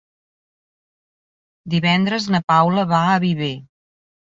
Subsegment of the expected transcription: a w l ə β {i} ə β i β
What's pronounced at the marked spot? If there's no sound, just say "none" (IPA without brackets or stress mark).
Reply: a